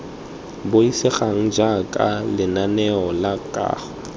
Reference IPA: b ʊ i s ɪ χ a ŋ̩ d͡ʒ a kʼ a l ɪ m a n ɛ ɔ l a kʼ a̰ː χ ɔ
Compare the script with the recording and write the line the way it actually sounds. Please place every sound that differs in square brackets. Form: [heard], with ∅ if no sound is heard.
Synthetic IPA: b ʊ i s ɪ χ a ŋ̩ d͡ʒ a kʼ a l ɪ [n] a n ɛ ɔ l a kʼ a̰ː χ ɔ